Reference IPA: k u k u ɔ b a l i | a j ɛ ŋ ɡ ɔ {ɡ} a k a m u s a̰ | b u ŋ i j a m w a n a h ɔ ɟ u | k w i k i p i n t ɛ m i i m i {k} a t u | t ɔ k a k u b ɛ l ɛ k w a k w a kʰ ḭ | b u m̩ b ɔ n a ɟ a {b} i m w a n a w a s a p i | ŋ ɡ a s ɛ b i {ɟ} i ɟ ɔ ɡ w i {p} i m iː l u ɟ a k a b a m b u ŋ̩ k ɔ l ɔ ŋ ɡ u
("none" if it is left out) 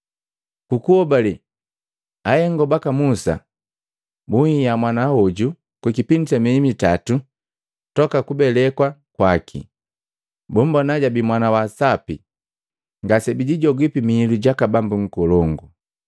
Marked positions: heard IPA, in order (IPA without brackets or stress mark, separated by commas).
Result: b, t, b, ɟ, p